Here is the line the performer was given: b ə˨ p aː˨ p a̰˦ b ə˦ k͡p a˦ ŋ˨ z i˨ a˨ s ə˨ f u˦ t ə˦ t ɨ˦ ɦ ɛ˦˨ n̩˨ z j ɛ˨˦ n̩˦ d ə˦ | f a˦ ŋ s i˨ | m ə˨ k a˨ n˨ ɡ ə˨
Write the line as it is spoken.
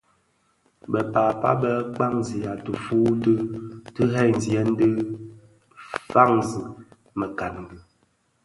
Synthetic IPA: b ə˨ p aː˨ p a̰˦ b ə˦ k͡p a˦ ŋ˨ z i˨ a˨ t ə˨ f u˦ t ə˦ t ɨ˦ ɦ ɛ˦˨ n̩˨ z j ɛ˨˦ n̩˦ d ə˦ | f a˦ ŋ z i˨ | m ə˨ k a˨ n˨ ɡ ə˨